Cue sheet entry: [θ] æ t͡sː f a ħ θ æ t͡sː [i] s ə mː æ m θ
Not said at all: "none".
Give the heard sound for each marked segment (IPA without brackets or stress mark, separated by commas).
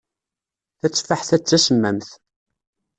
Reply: θ, æ